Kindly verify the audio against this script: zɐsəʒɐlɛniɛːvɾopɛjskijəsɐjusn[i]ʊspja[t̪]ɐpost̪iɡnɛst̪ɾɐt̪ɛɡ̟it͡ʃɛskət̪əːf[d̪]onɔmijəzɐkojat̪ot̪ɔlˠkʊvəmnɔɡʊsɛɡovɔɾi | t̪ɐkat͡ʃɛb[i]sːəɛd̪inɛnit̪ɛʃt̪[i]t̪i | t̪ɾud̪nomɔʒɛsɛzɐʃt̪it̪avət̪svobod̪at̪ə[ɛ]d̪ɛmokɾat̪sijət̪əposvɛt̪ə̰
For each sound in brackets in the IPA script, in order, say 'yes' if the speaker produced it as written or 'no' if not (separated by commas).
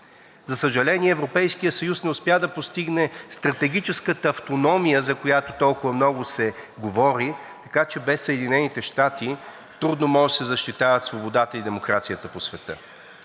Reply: no, no, no, no, no, no